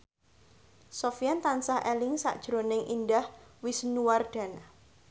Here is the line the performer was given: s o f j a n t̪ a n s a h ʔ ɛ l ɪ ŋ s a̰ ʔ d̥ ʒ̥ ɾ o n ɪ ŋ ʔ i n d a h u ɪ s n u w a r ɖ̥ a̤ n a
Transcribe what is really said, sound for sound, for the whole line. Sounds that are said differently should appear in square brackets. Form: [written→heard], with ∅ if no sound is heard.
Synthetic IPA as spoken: s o f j a n t̪ a n s a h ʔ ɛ l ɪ ŋ s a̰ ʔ d̥ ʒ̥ ɾ o n ɪ ŋ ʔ i n d a h [u→w] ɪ s n u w a r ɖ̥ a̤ n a